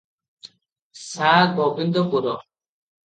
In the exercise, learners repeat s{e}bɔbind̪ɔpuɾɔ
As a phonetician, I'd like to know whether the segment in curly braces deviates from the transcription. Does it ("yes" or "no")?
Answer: yes